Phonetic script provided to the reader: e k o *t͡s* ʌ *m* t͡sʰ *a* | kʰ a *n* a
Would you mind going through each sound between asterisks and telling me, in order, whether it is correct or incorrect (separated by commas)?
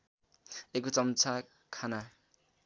correct, correct, correct, correct